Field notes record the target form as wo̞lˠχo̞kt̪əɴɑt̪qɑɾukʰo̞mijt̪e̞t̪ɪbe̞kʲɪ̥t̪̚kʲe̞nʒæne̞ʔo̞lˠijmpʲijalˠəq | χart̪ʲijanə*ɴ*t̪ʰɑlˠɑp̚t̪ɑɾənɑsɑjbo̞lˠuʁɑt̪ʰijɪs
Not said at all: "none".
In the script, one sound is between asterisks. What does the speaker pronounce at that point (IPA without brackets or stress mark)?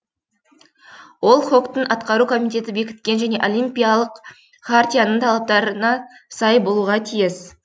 ɴ